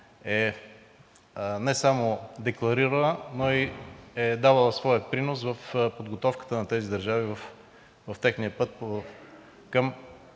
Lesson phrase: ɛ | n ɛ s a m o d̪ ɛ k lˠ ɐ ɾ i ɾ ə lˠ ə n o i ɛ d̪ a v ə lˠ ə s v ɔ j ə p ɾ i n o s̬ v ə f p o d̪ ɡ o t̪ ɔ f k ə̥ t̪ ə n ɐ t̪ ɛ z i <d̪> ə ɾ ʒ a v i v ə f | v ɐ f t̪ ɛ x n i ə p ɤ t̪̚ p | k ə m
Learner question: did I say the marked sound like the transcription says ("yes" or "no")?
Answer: yes